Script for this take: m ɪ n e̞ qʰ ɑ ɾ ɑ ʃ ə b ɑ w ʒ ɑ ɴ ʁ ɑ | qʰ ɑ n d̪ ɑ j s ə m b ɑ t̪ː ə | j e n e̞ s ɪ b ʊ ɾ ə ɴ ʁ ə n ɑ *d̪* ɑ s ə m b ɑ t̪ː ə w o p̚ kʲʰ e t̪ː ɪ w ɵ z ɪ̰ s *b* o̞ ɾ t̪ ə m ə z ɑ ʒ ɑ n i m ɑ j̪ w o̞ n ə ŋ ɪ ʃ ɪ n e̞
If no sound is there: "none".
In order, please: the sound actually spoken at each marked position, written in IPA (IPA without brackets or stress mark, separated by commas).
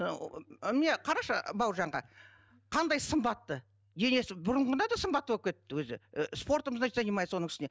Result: d̪, p